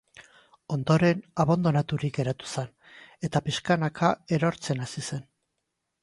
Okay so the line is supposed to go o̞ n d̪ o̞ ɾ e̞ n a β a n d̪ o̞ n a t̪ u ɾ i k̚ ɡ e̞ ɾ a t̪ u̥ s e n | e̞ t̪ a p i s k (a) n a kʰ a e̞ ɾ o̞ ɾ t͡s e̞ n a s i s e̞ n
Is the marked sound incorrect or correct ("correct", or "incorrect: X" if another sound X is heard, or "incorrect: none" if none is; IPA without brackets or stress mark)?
correct